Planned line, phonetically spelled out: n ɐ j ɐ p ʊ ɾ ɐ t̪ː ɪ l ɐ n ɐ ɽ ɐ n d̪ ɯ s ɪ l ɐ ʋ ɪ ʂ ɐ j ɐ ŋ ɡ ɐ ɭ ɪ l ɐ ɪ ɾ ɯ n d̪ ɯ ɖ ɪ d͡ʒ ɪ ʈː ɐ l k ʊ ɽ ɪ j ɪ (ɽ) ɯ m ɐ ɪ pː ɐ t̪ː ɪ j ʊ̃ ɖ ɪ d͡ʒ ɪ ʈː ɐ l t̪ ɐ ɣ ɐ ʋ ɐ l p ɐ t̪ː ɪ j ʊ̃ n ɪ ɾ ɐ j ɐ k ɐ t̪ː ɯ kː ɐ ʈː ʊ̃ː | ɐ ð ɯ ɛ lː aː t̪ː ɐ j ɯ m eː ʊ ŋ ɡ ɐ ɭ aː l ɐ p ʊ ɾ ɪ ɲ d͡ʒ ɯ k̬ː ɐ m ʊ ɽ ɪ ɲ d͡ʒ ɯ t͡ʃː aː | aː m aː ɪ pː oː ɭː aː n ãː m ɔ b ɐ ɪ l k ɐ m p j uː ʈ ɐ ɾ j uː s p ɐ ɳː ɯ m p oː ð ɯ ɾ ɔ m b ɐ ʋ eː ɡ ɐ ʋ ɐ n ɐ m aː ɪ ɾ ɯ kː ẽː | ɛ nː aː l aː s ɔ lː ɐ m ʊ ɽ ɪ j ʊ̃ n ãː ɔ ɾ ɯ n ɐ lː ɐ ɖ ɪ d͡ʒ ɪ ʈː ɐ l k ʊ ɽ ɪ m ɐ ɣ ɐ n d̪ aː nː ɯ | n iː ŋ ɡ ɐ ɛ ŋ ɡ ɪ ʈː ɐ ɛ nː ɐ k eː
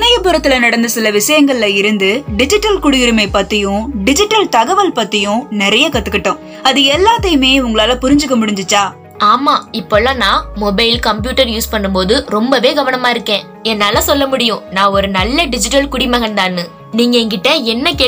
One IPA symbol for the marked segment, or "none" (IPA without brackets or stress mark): ɾ